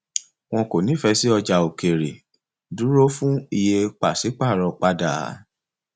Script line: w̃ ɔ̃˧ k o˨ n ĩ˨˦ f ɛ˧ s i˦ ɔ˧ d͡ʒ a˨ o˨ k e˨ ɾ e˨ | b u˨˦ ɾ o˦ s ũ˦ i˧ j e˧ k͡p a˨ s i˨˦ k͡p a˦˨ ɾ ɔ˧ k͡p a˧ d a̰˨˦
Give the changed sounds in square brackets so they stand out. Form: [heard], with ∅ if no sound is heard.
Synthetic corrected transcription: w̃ ɔ̃˧ k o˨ n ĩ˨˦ f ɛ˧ s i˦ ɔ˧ d͡ʒ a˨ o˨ k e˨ ɾ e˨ | [d] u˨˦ ɾ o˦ [f] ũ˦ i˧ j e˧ k͡p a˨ s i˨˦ k͡p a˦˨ ɾ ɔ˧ k͡p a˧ d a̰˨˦

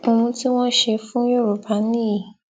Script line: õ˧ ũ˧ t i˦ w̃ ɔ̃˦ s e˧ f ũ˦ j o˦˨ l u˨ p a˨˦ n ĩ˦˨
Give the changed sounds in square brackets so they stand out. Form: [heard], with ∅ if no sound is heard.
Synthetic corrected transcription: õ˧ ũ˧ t i˦ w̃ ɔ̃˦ [ʃ] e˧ f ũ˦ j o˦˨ [ɾ] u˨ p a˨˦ n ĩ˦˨

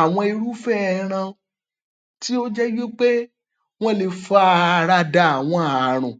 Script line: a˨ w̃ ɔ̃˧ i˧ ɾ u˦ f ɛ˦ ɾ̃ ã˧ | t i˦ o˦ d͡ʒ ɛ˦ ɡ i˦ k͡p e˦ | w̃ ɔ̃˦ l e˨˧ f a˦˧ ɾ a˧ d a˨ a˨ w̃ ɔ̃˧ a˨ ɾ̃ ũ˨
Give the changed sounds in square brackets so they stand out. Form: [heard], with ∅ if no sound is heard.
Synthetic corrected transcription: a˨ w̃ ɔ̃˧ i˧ ɾ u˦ f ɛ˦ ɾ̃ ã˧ | t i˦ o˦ d͡ʒ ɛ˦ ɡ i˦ k͡p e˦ | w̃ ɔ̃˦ l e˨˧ f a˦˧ ɾ a˧ d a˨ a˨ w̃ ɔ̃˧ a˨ ɾ̃ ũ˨

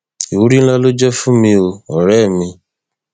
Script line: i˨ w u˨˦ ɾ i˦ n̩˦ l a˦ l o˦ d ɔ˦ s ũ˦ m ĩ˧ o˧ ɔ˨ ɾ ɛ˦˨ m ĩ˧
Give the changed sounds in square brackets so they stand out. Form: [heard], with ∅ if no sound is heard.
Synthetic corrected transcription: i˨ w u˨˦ ɾ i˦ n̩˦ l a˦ l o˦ [d͡ʒ] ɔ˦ [f] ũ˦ m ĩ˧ o˧ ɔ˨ ɾ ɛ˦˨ m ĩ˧

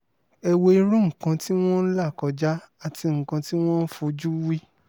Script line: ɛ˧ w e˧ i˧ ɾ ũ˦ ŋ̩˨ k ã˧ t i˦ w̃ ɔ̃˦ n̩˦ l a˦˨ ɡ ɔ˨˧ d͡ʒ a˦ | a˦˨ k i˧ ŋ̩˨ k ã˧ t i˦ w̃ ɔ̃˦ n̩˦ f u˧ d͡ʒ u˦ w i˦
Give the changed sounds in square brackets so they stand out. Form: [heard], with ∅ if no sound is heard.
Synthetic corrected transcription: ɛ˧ w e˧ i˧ ɾ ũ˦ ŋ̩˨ k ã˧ t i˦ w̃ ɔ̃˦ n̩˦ l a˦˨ [k] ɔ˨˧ d͡ʒ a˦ | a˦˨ [t] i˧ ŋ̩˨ k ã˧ t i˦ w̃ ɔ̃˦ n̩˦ f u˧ d͡ʒ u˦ w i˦

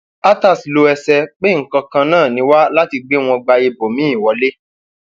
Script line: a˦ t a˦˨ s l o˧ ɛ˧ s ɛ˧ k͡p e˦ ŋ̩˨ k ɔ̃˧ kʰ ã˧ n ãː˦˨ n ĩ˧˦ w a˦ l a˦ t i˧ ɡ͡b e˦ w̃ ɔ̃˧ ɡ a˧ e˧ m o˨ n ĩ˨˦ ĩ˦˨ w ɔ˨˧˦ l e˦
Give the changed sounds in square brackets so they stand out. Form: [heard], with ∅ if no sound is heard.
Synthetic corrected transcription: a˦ t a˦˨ s l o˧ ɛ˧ s ɛ˧ k͡p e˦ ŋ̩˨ k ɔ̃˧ [k] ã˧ n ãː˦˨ n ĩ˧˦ w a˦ l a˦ t i˧ ɡ͡b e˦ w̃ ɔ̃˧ [ɡ͡b] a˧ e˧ [b] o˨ [m] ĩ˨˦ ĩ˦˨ w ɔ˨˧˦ l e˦

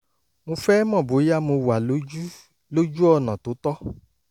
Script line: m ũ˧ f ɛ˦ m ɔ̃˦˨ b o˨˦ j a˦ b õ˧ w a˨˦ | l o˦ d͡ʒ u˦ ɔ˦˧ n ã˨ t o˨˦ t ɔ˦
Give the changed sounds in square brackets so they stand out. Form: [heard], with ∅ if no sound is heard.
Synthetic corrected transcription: m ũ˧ f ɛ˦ m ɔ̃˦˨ b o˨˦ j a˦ [m] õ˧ w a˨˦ | l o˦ d͡ʒ u˦ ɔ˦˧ n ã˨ t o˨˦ t ɔ˦

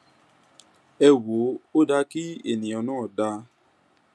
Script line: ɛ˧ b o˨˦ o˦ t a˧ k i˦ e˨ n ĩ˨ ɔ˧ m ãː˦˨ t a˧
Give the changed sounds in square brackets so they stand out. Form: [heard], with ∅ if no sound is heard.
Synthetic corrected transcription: ɛ˧ [w] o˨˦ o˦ [d] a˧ k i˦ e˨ n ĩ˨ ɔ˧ [n] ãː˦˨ [d] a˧

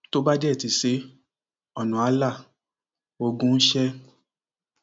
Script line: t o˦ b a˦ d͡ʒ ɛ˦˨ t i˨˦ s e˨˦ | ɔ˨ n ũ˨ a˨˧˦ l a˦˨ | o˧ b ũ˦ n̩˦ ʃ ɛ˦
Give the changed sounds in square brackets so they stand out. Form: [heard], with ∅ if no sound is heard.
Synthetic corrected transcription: t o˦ b a˦ d͡ʒ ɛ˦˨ t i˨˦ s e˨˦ | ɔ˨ n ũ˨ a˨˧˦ l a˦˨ | o˧ [ɡ] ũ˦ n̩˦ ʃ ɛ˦

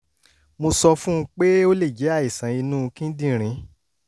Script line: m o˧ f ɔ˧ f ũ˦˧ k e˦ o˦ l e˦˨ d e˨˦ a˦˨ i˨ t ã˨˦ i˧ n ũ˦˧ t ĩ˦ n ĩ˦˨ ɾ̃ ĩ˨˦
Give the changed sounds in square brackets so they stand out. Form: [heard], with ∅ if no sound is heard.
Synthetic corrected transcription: m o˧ [s] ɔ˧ f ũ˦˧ [k͡p] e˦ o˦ l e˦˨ [d͡ʒ] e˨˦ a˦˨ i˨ [s] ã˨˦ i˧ n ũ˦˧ [k] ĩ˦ [d] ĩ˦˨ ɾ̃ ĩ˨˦

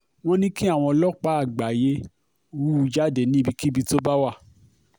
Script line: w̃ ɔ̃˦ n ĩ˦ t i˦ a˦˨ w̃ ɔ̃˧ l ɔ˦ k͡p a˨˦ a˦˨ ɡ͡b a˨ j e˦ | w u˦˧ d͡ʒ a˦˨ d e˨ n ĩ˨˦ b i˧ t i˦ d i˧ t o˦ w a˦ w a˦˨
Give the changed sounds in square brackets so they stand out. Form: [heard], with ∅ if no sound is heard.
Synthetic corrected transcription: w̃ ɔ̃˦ n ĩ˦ [k] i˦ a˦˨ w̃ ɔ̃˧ l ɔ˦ k͡p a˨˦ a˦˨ ɡ͡b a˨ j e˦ | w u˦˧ d͡ʒ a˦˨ d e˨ n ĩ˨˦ b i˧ [k] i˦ [b] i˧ t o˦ [b] a˦ w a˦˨

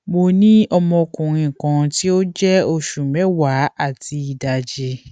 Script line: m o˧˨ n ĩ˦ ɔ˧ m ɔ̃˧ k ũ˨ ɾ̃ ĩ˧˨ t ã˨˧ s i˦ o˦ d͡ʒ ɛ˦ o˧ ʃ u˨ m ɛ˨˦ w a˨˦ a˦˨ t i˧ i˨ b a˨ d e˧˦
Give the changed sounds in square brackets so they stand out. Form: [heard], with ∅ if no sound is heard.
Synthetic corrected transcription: m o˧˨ n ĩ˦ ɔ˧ m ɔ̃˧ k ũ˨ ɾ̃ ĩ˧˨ [k] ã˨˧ [t] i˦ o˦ d͡ʒ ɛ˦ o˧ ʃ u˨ m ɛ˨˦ w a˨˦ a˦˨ t i˧ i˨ [d] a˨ [d͡ʒ] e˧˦

